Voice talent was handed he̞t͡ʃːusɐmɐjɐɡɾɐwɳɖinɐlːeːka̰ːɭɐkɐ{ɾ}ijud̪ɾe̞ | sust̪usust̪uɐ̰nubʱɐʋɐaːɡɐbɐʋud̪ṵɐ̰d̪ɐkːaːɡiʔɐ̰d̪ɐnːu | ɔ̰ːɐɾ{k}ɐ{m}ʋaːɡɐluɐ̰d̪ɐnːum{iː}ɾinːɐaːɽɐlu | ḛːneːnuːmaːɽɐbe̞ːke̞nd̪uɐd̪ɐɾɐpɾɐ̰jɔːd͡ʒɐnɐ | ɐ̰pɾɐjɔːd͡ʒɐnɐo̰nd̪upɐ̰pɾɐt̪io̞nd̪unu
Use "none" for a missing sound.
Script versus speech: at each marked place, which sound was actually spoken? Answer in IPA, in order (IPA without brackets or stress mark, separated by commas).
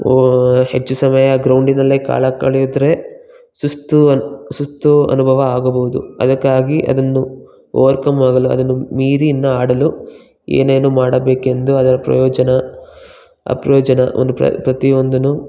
ɭ, k, m, iː